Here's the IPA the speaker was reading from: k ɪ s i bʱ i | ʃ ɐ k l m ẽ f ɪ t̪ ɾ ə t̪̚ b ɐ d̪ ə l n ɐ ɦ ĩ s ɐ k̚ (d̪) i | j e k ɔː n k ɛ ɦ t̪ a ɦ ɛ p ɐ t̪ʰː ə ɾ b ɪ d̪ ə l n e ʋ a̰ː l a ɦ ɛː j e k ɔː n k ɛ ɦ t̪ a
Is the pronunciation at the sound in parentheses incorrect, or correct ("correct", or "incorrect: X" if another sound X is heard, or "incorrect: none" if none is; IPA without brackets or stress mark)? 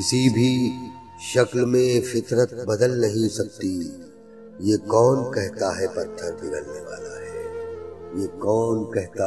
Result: incorrect: t̪